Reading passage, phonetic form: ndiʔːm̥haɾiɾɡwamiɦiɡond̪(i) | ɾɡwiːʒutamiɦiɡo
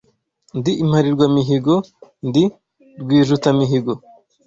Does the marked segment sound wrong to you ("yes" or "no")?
no